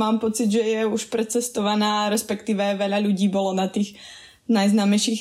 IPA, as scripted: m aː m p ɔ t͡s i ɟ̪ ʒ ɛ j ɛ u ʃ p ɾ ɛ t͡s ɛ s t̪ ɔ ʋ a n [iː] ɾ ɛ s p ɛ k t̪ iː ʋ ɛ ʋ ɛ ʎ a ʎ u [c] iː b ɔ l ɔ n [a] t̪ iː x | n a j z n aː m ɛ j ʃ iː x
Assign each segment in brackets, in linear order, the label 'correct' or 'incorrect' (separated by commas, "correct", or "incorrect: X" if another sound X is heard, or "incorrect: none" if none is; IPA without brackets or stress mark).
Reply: incorrect: aː, incorrect: ɟ, correct